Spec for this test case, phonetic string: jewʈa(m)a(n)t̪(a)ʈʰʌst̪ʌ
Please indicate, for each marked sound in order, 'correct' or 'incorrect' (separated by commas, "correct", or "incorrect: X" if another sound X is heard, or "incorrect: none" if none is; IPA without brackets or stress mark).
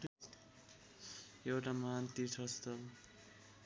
correct, correct, incorrect: i